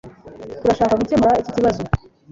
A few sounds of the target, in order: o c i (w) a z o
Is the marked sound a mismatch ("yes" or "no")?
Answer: yes